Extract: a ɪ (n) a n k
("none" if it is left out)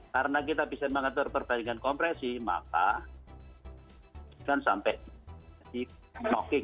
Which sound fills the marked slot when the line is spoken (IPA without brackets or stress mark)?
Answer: ŋ